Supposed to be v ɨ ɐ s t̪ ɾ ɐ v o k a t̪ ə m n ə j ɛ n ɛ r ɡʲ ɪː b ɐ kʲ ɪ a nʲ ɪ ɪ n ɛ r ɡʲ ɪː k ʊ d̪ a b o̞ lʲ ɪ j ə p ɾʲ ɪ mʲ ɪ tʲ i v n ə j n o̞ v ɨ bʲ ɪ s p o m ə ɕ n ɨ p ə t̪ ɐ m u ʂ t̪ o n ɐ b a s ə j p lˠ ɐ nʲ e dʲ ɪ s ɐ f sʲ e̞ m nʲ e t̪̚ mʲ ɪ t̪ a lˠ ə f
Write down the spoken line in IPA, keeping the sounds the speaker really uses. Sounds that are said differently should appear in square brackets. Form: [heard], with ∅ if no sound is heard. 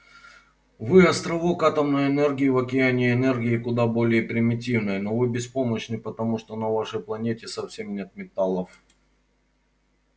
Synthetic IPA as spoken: v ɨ ɐ s t̪ ɾ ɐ v o k a t̪ ə m n ə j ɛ n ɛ r ɡʲ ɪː [v] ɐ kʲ ɪ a nʲ ɪ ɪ n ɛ r ɡʲ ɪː k ʊ d̪ a b o̞ lʲ ɪ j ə p ɾʲ ɪ mʲ ɪ tʲ i v n ə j n o̞ v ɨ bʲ ɪ s p o m ə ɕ n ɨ p ə t̪ ɐ m u ʂ t̪ o n ɐ [v] a [ʂ] ə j p lˠ ɐ nʲ e [tʲ] ɪ s ɐ f sʲ e̞ m nʲ e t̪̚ mʲ ɪ t̪ a lˠ ə f